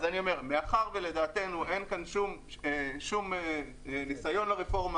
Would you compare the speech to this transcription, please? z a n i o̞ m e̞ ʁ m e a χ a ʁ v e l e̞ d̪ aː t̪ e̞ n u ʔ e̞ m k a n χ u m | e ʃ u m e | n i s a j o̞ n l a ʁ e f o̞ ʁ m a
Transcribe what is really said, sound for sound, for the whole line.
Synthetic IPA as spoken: z a n i o̞ m e̞ ʁ m e a χ a ʁ v e l e̞ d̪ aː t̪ e̞ n u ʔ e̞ n k a n ʃ u m | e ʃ u m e | n i s a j o̞ n l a ʁ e f o̞ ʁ m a